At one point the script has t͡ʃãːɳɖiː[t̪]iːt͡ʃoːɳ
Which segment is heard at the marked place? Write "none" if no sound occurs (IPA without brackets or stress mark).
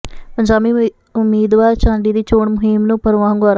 d̪